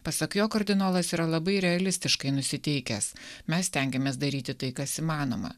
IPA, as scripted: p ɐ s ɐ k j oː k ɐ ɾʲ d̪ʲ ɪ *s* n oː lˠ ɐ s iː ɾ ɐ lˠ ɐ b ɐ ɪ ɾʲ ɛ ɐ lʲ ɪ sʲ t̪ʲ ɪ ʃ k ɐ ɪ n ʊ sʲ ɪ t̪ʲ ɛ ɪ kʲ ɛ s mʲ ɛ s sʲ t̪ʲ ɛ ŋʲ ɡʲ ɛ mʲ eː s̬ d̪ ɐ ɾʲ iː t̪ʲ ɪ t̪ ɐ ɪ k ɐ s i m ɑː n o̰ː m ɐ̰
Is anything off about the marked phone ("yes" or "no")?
yes